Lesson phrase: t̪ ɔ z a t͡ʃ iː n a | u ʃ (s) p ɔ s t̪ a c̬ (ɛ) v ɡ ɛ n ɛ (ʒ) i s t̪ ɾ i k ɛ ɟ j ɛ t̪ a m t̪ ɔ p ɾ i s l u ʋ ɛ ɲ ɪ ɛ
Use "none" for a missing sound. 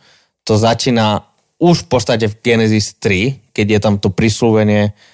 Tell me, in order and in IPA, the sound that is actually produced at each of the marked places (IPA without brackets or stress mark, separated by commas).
f, ɛ, z